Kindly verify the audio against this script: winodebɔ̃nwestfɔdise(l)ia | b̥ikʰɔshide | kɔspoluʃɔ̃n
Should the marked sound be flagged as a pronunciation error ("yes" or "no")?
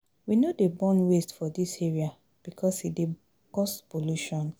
yes